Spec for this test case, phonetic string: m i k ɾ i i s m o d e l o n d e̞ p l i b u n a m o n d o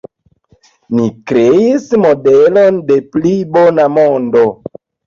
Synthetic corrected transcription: n i k ɾ e i s m o d e l o n d e̞ p l i b o n a m o n d o